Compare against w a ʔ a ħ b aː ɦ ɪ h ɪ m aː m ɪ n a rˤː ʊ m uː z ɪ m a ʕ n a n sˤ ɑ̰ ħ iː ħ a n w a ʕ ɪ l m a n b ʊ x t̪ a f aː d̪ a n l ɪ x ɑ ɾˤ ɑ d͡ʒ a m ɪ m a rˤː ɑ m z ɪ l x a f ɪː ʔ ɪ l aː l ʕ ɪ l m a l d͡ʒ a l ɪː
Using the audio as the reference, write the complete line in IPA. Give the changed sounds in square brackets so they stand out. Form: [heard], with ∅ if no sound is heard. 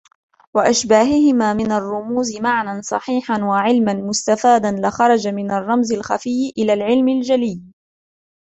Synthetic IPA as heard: w a ʔ a [ʃ] b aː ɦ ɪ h ɪ m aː m ɪ n a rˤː ʊ m uː z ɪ m a ʕ n a n sˤ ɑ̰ ħ iː ħ a n w a ʕ ɪ l m a n [m] ʊ [s] t̪ a f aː d̪ a n l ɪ x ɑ ɾˤ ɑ d͡ʒ a m ɪ [n] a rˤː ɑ m z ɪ l x a f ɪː ʔ ɪ l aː l ʕ ɪ l m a l d͡ʒ a l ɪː